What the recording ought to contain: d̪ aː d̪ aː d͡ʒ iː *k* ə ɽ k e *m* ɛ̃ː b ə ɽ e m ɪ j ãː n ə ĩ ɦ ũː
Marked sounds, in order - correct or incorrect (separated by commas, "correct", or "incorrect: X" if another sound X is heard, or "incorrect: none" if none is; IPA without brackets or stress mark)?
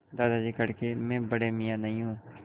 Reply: correct, correct